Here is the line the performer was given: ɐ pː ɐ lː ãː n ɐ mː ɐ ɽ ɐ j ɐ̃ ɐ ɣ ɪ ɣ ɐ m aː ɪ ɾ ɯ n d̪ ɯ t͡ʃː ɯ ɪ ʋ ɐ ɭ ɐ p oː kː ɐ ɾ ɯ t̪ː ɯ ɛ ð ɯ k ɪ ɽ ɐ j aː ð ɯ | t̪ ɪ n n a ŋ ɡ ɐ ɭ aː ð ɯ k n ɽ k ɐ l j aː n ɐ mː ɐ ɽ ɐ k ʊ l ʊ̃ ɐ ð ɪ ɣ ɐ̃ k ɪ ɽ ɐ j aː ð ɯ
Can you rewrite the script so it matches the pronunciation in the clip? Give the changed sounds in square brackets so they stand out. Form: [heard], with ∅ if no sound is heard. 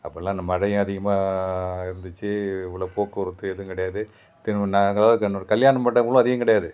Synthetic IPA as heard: ɐ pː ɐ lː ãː n ɐ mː ɐ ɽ ɐ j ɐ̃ ɐ [ð] ɪ ɣ ɐ m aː ɪ ɾ ɯ n d̪ ɯ t͡ʃː ɯ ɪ ʋ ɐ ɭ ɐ p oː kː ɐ ɾ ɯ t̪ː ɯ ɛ ð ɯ k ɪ ɽ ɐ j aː ð ɯ | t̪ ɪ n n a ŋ ɡ ɐ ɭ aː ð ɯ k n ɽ k ɐ l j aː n ɐ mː ɐ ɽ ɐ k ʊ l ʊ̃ ɐ ð ɪ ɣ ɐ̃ k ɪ ɽ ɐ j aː ð ɯ